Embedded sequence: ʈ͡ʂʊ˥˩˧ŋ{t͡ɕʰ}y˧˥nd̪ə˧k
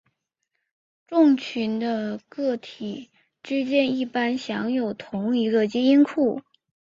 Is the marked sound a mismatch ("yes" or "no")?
no